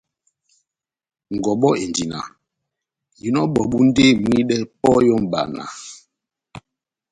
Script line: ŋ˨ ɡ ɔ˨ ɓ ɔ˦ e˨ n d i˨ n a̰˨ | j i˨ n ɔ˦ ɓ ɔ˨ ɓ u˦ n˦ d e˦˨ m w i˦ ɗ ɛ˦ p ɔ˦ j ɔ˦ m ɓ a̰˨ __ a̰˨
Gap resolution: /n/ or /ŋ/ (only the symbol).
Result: n